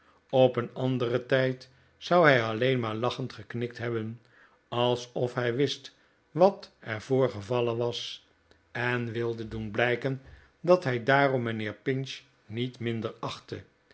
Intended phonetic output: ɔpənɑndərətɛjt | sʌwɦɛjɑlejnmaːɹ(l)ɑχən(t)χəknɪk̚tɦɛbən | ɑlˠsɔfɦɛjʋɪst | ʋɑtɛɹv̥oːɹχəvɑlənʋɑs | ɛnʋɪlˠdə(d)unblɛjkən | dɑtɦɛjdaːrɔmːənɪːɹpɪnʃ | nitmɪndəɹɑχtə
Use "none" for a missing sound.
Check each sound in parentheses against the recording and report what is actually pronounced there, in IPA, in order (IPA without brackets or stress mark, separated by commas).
l, t, d